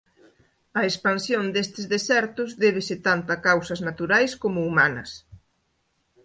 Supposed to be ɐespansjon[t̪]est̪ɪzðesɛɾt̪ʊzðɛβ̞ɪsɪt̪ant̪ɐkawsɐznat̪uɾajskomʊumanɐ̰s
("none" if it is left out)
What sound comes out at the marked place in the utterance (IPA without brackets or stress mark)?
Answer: d̪